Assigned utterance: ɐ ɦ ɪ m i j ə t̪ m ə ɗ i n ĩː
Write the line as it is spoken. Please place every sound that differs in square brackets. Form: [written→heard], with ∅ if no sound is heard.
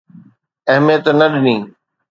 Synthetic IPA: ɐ ɦ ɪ m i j ə t̪ [m→n] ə ɗ [i→ɪ] n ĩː